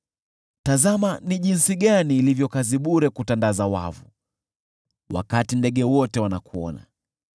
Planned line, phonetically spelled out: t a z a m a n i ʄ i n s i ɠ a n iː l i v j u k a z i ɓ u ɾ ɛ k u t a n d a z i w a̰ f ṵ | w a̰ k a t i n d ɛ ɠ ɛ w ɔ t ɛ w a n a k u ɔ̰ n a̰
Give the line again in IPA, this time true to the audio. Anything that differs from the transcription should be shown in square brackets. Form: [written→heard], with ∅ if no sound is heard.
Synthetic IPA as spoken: t a z a m a n i ʄ i n s i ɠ a n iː l i v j [u→ɔ] k a z i ɓ u ɾ ɛ k u t a n d a z [i→a] w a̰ [f→v] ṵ | w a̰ k a t i n d ɛ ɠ ɛ w ɔ t ɛ w a n a k u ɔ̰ n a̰